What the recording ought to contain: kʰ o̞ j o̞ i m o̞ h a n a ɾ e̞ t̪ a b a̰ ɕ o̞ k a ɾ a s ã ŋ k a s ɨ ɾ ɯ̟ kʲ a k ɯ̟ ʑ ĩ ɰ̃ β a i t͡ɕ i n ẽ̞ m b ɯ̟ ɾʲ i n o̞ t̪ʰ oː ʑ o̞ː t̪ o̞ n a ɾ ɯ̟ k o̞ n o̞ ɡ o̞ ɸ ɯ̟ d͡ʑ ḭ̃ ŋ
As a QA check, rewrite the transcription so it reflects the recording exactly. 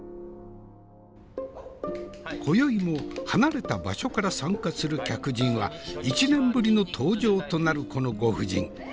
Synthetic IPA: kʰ o̞ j o̞ i m o̞ h a n a ɾ e̞ t̪ a b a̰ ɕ o̞ k a ɾ a s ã ŋ k a s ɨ ɾ ɯ̟ kʲ a k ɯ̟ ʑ ĩ ɰ̃ β a i t͡ɕ i n ẽ̞ m b ɯ̟ ɾʲ i n o̞ t̪ʰ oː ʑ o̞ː t̪ o̞ n a ɾ ɯ̟ k o̞ n o̞ ɡ o̞ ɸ ɯ̟ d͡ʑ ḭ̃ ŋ